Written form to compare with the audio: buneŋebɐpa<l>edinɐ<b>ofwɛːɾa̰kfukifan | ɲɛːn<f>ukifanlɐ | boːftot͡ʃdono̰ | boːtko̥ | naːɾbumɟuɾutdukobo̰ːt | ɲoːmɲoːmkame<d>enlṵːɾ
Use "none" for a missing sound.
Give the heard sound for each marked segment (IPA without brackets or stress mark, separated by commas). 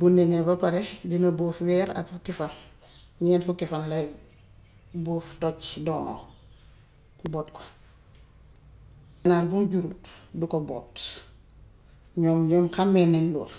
ɾ, b, f, n